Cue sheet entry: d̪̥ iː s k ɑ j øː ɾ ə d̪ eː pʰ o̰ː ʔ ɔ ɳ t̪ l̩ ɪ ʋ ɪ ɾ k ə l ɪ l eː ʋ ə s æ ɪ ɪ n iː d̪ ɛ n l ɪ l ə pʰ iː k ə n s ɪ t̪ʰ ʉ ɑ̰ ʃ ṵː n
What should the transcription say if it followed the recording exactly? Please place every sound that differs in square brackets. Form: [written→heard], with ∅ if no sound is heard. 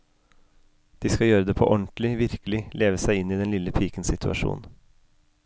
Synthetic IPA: d̪̥ iː s k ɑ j øː ɾ ə d̪ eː pʰ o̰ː ʔ ɔ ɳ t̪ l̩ ɪ ʋ ɪ ɾ k ə l ɪ l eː ʋ ə s æ ɪ ɪ n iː d̪ ɛ n l ɪ l ə pʰ iː k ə n s ɪ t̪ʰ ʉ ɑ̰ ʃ ṵː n